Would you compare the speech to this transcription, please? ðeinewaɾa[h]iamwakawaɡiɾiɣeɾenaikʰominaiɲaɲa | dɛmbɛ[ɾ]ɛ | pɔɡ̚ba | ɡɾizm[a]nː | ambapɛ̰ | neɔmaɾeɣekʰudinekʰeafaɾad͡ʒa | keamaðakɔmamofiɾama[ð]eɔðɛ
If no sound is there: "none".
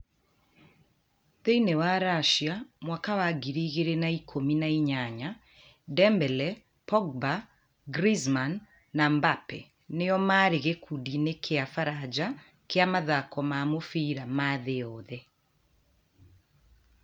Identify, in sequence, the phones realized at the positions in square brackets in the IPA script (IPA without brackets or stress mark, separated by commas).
ʃ, l, a, ð